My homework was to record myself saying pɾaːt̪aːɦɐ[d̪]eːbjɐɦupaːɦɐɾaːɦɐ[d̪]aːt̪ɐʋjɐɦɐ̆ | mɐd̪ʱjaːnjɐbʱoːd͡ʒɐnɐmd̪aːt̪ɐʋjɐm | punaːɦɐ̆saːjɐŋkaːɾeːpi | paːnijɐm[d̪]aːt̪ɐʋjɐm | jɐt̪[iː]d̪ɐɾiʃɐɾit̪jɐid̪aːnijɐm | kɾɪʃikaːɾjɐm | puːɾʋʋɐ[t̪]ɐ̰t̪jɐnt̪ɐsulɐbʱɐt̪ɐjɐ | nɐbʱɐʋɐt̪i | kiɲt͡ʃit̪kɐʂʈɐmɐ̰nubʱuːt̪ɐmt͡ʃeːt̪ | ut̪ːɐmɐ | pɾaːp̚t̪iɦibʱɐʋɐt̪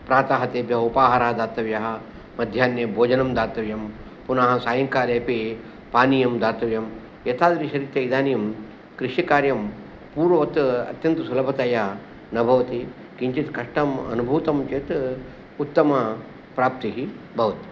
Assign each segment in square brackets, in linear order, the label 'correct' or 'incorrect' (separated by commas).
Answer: incorrect, correct, correct, incorrect, correct